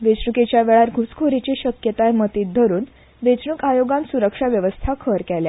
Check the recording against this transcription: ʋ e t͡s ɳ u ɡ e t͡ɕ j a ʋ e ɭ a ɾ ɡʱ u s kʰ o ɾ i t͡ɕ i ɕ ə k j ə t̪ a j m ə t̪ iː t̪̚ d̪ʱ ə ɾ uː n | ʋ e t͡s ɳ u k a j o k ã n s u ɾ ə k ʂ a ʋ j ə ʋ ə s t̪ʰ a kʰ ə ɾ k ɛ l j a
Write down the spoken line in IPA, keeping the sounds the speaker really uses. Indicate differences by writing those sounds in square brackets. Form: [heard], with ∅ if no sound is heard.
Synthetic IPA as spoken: ʋ e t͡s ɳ u [k] e t͡ɕ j a ʋ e ɭ a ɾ ɡʱ u s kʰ o ɾ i t͡ɕ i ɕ ə k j ə t̪ a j m ə t̪ iː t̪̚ d̪ʱ ə ɾ uː n | ʋ e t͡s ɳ u k a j o [ɡ] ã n s u ɾ ə k ʂ a ʋ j ə ʋ ə s t̪ʰ a kʰ ə ɾ k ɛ l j a